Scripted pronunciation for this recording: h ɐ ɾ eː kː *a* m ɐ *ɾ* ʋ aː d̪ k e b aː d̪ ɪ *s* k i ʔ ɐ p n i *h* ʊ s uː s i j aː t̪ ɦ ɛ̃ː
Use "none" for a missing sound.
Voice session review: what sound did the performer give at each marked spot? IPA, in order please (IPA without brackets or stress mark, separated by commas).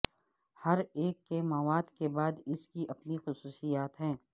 e, none, s, x